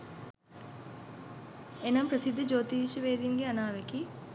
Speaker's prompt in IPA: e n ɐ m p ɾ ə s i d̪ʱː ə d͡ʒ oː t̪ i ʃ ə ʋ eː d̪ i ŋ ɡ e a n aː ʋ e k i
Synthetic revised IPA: e n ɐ m p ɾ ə s i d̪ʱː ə d͡ʒ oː t̪ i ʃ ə ʋ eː d̪ i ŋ ɡ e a n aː ʋ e k i